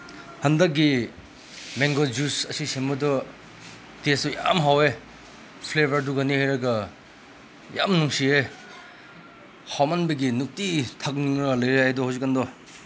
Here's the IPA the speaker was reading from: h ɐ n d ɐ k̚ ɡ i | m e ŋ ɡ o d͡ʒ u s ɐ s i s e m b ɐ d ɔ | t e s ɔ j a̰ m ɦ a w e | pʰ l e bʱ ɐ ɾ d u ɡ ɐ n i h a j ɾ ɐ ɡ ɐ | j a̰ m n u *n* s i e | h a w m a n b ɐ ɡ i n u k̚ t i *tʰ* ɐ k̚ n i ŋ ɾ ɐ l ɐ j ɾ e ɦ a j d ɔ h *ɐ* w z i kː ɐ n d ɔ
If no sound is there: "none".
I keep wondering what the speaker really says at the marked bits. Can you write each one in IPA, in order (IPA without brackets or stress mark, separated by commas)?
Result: ŋ, tʰ, a